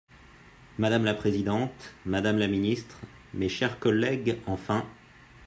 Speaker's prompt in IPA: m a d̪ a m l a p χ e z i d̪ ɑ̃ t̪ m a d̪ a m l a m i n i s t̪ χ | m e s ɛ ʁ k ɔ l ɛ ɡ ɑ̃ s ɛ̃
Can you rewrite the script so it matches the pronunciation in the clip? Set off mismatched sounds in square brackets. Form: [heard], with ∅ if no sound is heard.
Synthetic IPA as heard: m a d̪ a m l a p χ e z i d̪ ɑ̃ t̪ m a d̪ a m l a m i n i s t̪ χ | m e [ʃ] ɛ ʁ k ɔ l ɛ ɡ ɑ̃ [f] ɛ̃